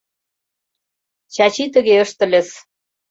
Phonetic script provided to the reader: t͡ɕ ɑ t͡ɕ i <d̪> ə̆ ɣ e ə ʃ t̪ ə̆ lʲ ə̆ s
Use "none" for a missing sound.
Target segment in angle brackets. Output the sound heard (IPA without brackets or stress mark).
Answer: t̪